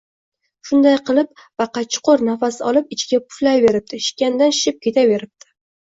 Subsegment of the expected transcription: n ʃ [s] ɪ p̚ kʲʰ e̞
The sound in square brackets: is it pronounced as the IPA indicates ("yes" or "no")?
no